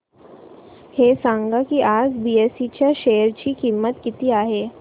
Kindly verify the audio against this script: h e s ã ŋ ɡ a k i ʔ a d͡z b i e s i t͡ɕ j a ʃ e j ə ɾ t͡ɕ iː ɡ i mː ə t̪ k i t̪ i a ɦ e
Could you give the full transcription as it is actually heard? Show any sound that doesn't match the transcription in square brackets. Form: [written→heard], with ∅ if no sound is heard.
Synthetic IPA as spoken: h e s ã ŋ ɡ a k i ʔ a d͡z b i e s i t͡ɕ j a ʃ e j ə ɾ t͡ɕ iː [ɡ→k] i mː ə t̪ k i t̪ i a ɦ e